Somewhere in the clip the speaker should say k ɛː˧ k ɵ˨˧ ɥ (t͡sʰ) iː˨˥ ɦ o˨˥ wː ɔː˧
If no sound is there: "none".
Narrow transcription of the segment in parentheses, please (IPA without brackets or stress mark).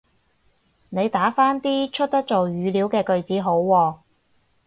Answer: t͡s